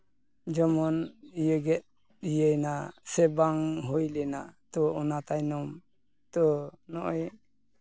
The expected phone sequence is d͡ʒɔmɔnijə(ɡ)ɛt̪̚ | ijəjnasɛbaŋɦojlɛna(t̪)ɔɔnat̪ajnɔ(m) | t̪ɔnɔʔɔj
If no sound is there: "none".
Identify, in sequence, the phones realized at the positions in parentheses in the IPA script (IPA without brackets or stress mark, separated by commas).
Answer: ɡ, t̪, m